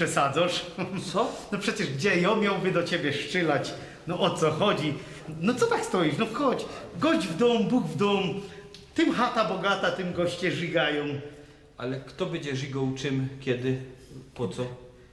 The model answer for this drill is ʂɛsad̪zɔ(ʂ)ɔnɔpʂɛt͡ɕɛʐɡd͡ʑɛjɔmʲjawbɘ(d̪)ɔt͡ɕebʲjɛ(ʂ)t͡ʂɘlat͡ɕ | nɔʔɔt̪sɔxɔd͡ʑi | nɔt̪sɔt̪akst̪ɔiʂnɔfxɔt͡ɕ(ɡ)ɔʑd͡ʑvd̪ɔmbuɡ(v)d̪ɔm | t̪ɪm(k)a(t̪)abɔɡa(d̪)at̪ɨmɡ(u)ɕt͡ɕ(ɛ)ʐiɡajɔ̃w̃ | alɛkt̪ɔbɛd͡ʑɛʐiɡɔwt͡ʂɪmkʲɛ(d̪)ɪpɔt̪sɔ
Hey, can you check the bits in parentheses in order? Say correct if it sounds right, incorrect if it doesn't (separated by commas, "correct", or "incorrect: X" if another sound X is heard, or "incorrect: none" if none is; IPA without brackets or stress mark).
correct, correct, correct, correct, correct, incorrect: x, correct, incorrect: t̪, incorrect: ɔ, correct, correct